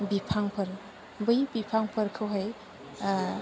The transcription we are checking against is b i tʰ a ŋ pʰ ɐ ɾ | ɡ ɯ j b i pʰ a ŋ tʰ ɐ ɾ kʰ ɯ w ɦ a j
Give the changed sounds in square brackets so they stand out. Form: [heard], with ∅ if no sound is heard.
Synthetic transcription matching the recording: b i [pʰ] a ŋ pʰ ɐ ɾ | [b] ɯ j b i pʰ a ŋ [pʰ] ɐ ɾ kʰ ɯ w ɦ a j